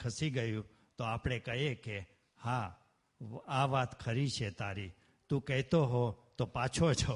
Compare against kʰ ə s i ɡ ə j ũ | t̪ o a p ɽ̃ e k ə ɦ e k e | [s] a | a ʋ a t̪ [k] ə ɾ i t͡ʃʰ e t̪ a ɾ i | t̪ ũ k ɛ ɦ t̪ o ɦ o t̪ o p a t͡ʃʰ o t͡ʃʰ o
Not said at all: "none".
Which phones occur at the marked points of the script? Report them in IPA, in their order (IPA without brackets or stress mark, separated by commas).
h, kʰ